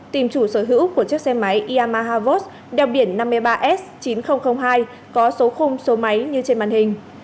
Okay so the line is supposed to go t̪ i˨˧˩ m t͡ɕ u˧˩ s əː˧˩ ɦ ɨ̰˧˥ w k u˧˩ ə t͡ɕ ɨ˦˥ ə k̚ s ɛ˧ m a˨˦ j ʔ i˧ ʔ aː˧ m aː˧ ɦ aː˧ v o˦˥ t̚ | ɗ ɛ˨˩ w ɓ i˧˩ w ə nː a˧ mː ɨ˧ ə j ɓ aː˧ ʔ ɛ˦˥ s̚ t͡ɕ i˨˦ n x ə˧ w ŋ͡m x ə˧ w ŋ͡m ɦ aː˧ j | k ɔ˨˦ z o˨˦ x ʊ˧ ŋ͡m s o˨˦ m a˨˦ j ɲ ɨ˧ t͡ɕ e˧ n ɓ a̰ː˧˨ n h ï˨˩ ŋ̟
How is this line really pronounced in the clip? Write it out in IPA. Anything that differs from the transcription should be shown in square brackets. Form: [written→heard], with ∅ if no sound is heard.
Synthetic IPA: t̪ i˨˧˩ m t͡ɕ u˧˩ s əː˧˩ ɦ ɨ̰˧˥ w k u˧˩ ə t͡ɕ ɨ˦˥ ə k̚ s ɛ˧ m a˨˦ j ʔ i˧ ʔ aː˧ m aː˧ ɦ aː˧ v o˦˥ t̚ | ɗ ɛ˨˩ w ɓ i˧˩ [w→∅] ə nː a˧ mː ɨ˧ ə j ɓ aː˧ ʔ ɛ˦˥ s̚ t͡ɕ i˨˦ n x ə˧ w ŋ͡m x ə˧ w ŋ͡m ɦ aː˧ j | k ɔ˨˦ [z→s] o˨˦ x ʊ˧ ŋ͡m s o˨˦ m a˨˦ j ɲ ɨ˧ t͡ɕ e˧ n ɓ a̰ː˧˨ n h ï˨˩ ŋ̟